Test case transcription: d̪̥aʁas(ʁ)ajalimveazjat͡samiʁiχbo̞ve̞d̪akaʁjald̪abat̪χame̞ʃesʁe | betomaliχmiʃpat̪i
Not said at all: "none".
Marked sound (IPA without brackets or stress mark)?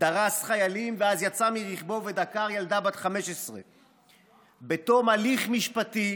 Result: χ